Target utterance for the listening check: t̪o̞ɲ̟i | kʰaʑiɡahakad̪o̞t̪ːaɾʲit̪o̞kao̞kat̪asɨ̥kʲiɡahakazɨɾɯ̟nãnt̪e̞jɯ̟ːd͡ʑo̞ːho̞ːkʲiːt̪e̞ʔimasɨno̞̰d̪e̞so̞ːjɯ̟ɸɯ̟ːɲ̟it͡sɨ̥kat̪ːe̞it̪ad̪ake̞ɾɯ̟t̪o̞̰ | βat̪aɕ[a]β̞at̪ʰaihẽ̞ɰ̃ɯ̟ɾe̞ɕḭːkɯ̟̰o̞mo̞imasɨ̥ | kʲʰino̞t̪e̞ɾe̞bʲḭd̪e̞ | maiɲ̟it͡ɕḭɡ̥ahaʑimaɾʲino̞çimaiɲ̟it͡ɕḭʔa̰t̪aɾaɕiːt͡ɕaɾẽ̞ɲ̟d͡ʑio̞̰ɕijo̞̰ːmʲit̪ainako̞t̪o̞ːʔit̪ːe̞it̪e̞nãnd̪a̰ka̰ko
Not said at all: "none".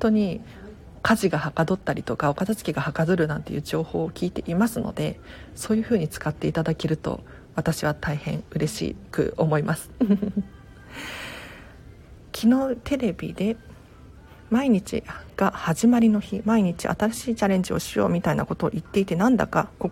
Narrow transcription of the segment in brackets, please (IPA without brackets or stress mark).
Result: i